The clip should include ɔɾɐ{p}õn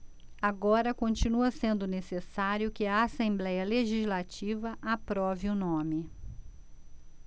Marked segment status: incorrect: k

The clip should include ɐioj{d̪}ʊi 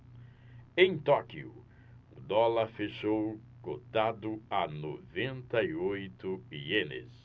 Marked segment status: incorrect: t̪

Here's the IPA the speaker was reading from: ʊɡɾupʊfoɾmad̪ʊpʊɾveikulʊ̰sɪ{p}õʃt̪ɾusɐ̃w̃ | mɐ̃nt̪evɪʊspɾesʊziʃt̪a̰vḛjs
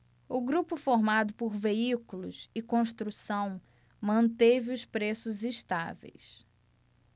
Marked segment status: incorrect: k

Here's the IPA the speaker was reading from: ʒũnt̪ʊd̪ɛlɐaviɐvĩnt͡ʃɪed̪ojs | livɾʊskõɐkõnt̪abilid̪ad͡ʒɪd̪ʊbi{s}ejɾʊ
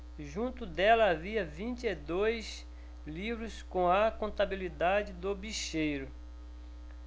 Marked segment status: incorrect: ʃ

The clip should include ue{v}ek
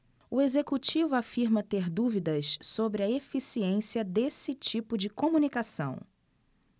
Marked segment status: incorrect: z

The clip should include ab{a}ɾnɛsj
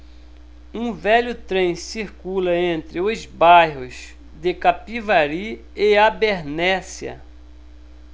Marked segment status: incorrect: e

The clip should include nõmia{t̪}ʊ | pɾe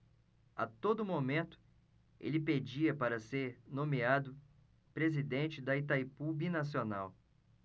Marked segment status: incorrect: d̪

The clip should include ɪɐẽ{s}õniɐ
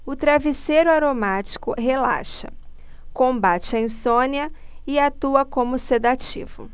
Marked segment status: correct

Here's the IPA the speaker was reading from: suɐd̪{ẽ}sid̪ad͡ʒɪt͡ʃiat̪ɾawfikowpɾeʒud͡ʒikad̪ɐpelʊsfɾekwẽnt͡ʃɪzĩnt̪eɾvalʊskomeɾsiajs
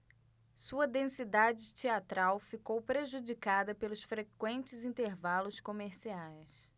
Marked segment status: correct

